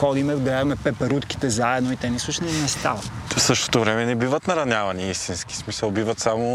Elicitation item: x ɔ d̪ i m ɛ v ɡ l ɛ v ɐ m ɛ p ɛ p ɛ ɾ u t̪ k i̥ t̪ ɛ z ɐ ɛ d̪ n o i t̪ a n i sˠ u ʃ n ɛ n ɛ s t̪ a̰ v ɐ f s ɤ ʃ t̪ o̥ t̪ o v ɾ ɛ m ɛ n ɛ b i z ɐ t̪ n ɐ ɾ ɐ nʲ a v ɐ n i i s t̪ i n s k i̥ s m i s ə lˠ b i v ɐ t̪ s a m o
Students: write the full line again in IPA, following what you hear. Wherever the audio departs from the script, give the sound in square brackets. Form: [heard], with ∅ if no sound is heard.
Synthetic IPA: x ɔ d̪ i m ɛ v ɡ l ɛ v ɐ m ɛ p ɛ p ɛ ɾ u t̪ k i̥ t̪ ɛ z [a] ɛ d̪ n o i t̪ [ɛ] n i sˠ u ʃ n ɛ n ɛ s t̪ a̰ v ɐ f s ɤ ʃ t̪ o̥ t̪ o v ɾ ɛ m ɛ n ɛ b i [v] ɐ t̪ n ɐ ɾ ɐ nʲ a v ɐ n i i s t̪ i n s k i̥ s m i s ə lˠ b i v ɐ t̪ s a m o